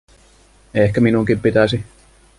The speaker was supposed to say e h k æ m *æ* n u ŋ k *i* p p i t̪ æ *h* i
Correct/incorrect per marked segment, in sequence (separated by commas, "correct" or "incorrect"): incorrect, correct, incorrect